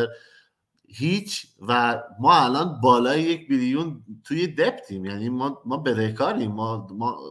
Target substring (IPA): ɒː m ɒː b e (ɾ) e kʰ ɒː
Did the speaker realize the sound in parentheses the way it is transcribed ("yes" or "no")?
yes